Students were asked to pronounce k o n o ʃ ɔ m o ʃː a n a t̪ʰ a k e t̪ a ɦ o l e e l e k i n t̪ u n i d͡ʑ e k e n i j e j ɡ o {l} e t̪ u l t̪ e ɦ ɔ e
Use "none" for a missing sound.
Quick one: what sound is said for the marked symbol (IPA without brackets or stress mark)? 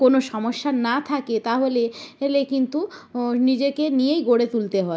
ɽ